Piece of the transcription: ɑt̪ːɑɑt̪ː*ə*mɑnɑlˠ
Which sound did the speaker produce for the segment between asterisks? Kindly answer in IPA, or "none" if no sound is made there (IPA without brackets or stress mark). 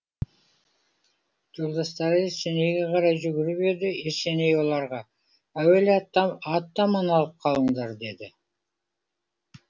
ɑ